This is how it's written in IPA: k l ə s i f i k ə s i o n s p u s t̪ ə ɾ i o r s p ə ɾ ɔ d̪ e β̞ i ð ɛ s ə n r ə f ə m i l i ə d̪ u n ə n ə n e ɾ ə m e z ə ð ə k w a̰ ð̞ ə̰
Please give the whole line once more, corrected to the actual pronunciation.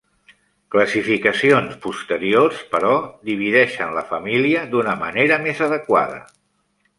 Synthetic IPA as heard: k l ə s i f i k ə s i o n s p u s t̪ ə ɾ i o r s p ə ɾ ɔ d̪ i β̞ i ð ɛ ʃ ə n l ə f ə m i l i ə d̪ u n ə m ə n e ɾ ə m e z ə ð ə k w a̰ ð̞ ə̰